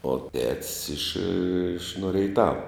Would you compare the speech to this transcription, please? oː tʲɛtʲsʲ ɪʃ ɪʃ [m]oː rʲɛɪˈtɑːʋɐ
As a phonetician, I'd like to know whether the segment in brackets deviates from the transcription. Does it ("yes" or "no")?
yes